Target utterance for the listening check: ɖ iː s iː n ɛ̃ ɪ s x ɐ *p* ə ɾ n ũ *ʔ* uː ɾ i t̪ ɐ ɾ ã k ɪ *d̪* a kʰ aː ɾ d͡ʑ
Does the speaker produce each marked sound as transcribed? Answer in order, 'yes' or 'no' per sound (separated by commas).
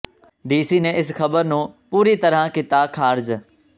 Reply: no, no, no